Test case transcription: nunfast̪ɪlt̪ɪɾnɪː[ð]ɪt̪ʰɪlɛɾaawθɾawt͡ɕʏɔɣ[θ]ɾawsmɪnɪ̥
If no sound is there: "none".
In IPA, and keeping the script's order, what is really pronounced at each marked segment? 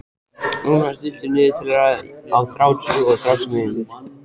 ð, θ

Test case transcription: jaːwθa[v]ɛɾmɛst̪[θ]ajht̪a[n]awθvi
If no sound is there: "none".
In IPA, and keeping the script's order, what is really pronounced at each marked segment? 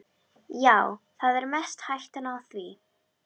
ð, h, n

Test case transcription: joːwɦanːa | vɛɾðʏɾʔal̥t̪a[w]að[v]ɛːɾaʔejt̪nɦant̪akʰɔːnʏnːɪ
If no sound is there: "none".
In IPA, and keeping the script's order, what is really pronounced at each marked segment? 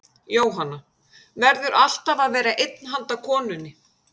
v, v

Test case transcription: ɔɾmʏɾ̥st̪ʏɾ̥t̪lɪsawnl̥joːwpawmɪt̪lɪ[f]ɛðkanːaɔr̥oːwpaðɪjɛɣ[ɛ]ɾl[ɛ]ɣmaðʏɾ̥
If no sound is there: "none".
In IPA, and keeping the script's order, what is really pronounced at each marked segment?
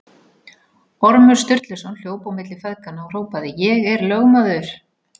f, ɛ, œ

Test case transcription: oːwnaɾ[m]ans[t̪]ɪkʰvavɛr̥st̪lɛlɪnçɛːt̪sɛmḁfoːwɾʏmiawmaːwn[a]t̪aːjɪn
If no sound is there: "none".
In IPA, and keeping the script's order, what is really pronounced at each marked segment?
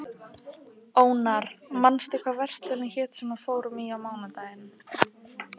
m, t̪, a

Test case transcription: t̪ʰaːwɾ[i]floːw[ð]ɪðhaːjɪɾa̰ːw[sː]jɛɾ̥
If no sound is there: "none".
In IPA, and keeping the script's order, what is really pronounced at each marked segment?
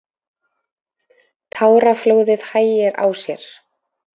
a, ð, s

